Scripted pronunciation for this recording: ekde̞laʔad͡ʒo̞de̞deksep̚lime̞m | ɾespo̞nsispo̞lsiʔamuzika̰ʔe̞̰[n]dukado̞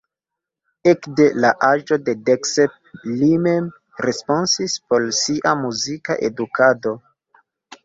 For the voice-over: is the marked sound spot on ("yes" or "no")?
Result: no